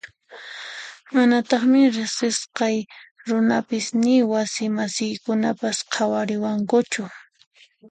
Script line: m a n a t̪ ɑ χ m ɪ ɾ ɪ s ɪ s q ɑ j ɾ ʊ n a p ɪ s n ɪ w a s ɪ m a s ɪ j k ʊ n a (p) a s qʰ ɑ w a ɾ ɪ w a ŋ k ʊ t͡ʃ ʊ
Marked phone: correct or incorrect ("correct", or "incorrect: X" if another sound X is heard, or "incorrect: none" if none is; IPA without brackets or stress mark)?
correct